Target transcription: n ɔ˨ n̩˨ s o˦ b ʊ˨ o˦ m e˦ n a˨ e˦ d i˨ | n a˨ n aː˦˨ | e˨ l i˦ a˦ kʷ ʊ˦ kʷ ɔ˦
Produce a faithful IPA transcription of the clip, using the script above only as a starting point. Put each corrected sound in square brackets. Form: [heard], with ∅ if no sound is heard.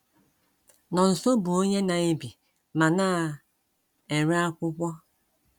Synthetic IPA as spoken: n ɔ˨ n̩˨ s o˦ b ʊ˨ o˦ [ɲ] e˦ n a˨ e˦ [b] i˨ | [m] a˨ n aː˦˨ | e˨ [ɾ] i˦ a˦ kʷ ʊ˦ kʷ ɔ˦